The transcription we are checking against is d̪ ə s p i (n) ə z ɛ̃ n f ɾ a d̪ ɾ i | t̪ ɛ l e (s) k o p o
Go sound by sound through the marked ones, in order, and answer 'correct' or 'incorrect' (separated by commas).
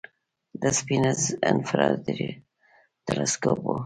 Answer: correct, correct